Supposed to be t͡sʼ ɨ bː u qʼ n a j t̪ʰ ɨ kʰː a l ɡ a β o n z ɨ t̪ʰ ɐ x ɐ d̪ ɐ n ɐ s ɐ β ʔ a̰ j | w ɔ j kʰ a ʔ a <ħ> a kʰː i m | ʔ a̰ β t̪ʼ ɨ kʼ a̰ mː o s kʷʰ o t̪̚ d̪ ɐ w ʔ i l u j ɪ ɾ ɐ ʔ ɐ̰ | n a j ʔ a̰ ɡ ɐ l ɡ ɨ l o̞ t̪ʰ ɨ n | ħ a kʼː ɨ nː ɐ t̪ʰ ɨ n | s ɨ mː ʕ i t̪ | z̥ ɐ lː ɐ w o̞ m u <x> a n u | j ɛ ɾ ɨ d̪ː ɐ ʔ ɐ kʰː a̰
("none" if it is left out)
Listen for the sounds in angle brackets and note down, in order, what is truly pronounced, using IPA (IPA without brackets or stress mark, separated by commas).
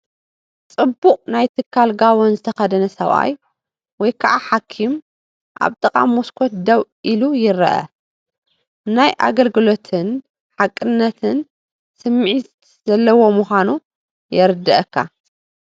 ħ, x